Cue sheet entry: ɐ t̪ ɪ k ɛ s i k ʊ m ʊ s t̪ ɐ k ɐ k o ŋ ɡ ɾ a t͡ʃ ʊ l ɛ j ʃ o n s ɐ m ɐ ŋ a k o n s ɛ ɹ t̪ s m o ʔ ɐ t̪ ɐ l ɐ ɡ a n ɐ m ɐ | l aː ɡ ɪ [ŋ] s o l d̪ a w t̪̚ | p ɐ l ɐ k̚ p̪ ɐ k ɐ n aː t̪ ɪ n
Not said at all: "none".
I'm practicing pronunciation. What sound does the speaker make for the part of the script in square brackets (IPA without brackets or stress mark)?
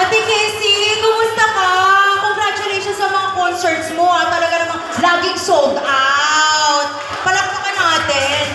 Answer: ŋ